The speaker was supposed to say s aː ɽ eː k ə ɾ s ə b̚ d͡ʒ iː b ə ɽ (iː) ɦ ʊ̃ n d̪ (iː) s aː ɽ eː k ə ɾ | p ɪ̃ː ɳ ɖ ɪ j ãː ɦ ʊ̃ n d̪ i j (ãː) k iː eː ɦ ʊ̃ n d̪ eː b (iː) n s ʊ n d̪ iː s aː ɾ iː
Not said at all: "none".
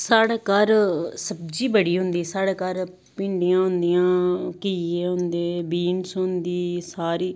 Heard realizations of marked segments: iː, iː, ãː, iː

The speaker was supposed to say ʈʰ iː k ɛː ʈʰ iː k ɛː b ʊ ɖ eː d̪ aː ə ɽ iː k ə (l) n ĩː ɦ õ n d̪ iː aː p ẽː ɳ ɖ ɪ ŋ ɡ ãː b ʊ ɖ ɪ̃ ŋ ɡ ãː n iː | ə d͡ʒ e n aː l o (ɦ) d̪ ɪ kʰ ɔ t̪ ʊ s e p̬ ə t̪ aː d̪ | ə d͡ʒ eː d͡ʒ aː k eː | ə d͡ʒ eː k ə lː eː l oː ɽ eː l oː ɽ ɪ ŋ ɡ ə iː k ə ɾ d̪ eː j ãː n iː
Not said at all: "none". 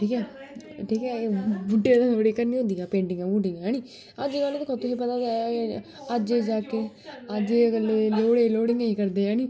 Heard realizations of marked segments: ɾ, none

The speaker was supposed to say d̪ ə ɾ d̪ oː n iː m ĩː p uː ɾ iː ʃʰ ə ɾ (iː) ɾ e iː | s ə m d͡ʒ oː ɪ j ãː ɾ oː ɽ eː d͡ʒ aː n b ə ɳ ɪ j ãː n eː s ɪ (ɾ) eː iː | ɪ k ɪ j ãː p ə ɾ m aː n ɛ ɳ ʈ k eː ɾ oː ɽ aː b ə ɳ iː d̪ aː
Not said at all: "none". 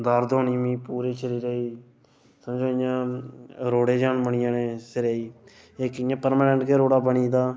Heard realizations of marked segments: iː, ɾ

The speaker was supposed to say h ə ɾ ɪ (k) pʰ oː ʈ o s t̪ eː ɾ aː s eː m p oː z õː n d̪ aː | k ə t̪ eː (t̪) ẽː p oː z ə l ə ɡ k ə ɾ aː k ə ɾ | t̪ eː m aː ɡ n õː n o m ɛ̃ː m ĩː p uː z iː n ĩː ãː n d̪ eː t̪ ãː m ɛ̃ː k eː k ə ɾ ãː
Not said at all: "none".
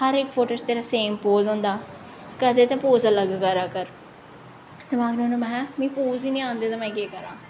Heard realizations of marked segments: k, t̪

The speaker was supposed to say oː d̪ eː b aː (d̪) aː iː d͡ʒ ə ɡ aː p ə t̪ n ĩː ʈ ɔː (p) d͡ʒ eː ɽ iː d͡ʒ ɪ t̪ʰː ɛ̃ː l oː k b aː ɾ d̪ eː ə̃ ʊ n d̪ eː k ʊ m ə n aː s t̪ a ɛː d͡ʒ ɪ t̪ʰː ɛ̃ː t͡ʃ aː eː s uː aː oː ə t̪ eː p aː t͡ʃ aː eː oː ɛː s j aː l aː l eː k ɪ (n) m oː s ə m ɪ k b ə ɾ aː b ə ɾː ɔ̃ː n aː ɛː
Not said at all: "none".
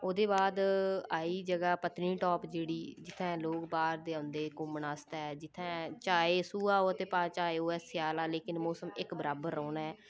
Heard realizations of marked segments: d̪, p, n

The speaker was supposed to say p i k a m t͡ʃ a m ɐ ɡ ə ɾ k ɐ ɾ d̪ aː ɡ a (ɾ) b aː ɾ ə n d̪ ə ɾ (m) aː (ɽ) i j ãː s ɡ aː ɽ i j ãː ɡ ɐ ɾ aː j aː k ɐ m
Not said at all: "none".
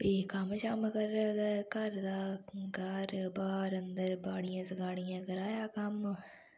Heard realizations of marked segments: ɾ, b, ɽ

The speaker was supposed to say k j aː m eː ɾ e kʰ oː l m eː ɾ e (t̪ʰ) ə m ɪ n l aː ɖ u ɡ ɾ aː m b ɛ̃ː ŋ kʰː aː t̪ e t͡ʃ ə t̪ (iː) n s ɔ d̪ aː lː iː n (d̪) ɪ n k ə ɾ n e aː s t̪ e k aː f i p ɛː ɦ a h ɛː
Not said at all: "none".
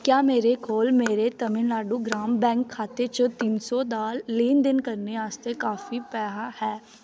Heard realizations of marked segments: t̪, iː, d̪

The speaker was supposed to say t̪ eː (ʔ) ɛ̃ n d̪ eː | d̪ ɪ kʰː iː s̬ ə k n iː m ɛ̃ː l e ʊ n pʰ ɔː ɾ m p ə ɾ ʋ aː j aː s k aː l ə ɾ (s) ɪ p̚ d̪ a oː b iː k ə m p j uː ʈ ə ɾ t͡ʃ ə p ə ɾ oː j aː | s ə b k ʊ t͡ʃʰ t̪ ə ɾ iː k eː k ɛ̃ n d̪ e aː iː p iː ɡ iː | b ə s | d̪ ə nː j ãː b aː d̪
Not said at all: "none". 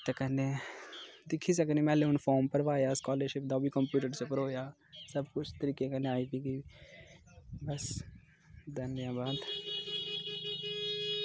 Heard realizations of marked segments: k, ʃ

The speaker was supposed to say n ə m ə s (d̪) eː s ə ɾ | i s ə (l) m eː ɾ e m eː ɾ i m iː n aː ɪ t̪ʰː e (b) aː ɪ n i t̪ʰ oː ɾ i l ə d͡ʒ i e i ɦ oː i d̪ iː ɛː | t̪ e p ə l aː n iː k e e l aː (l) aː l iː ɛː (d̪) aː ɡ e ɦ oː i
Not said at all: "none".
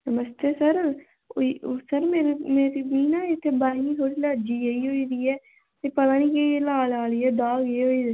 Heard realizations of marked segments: t̪, ɾ, b, l, d̪

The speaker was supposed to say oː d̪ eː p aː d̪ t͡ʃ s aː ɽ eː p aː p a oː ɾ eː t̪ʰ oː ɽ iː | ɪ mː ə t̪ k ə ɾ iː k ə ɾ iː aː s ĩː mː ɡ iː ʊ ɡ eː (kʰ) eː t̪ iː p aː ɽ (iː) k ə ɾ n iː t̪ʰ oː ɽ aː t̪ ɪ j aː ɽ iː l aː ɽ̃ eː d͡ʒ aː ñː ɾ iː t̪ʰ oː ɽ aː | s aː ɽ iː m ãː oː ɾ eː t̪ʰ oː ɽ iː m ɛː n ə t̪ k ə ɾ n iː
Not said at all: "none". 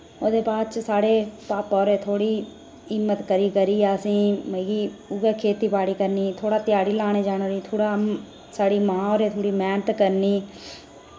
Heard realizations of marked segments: kʰ, iː

